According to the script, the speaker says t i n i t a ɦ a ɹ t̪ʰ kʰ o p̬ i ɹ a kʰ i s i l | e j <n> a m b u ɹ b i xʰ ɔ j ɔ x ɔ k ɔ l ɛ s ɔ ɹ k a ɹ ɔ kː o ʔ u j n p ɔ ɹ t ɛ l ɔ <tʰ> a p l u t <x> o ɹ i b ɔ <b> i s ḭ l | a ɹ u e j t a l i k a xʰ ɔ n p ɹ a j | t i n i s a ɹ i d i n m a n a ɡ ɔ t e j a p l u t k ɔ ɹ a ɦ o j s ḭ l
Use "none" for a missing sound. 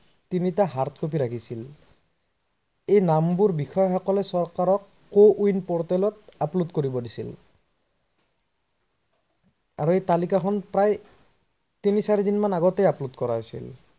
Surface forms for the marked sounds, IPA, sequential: n, t, k, d

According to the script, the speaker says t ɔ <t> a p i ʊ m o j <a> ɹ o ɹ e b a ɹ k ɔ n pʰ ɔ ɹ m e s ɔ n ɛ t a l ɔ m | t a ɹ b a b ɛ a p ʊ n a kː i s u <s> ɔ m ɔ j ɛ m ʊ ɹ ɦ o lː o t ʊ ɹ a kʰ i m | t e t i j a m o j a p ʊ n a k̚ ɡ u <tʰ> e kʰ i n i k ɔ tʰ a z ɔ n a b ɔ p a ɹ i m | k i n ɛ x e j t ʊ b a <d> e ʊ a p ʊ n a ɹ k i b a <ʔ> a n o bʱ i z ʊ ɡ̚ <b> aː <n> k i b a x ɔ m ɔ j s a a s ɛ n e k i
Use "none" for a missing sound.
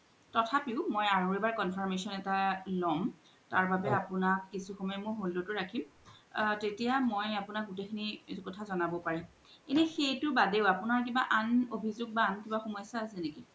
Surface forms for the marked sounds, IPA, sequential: tʰ, a, x, t, d, ʔ, b, n

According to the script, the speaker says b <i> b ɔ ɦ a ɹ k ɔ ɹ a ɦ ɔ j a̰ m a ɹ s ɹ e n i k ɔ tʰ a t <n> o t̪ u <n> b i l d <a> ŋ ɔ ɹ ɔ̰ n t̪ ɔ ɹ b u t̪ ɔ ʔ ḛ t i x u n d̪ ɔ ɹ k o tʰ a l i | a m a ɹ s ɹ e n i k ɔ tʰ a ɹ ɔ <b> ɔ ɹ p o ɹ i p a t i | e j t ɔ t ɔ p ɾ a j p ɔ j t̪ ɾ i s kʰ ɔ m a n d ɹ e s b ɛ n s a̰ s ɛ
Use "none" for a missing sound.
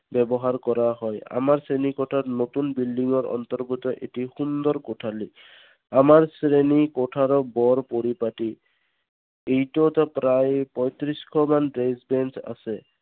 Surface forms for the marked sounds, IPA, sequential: ɛ, n, n, i, b

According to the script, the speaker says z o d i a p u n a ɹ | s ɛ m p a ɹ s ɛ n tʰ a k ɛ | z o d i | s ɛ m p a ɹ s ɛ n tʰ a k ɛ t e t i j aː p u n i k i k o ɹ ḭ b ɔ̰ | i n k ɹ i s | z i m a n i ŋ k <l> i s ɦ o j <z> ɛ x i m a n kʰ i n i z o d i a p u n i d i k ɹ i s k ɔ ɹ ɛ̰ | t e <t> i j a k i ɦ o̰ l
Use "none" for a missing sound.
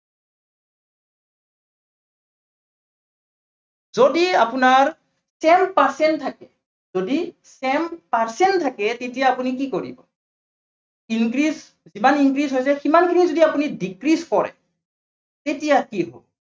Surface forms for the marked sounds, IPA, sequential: ɹ, s, t

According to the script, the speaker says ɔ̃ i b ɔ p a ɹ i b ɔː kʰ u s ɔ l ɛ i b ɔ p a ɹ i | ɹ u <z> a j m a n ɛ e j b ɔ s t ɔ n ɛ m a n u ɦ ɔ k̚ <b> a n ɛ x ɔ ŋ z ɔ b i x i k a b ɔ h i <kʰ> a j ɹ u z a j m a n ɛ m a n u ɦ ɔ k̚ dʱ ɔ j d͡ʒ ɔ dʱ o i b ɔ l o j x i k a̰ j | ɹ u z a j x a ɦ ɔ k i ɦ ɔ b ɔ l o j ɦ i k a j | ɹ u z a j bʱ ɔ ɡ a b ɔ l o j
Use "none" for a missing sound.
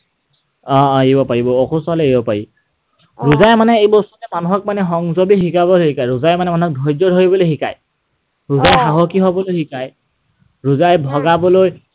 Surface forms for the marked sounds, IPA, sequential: z, m, k

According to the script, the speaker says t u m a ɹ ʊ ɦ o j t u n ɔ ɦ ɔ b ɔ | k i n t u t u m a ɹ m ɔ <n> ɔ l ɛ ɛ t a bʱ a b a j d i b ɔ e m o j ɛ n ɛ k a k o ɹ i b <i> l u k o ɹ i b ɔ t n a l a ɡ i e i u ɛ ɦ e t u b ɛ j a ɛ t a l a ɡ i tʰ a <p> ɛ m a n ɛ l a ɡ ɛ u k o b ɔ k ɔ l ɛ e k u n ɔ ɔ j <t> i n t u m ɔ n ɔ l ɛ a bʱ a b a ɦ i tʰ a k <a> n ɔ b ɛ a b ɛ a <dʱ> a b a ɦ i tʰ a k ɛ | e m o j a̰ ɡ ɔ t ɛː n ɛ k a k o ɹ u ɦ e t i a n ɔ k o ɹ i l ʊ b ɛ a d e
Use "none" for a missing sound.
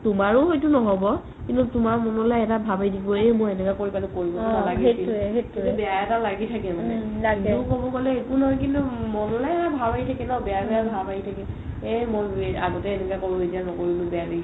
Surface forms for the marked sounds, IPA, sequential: n, a, k, k, ɛ, bʱ

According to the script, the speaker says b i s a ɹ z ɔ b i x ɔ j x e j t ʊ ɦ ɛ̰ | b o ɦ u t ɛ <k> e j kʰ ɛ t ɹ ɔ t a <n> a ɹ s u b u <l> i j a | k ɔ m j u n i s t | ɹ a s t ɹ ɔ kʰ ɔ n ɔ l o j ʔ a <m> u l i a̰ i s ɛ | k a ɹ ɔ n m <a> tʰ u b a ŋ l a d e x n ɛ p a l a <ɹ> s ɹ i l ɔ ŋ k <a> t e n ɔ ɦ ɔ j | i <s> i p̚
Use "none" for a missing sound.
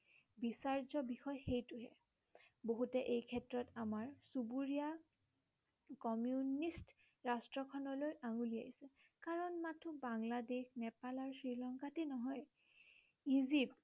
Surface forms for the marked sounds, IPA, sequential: ʔ, m, ɹ, ŋ, a, ɹ, a, z

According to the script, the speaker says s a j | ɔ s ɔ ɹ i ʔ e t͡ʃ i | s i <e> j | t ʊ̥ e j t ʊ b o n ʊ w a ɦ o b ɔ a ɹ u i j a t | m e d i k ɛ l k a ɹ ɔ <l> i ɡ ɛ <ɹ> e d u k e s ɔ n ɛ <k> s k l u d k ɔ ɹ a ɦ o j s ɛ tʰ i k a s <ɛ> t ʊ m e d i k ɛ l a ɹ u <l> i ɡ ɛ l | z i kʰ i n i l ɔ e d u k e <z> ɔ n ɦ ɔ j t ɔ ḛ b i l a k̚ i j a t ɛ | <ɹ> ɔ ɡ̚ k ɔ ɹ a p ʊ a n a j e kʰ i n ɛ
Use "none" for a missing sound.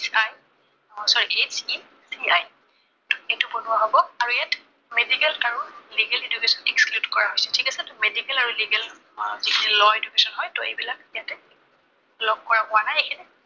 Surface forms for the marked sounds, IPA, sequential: a, l, l, k, ɛ, l, s, l

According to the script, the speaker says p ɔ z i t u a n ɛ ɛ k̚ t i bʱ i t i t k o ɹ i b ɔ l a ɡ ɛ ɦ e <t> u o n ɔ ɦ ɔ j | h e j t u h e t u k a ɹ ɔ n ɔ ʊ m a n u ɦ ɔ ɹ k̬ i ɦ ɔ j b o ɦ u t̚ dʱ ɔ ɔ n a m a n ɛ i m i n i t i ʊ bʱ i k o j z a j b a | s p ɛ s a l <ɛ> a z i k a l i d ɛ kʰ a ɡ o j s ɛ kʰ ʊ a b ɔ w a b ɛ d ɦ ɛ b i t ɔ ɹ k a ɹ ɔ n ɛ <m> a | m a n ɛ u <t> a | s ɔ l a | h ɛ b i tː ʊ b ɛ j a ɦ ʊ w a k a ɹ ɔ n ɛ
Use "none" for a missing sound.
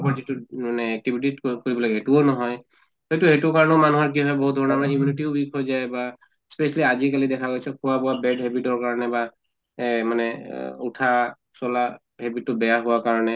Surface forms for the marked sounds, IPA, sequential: t, i, b, tʰ

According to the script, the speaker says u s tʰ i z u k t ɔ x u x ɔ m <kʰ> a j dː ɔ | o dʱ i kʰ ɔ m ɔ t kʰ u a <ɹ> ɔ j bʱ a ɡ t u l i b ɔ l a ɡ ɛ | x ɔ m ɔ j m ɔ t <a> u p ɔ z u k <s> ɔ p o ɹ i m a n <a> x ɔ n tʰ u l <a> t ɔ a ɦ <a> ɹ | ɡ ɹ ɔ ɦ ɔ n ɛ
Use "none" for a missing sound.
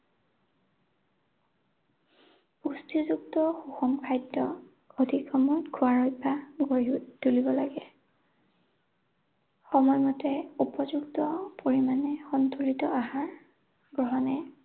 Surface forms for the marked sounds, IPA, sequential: kʰ, ɹ, ɛ, t, ɛ, i, a

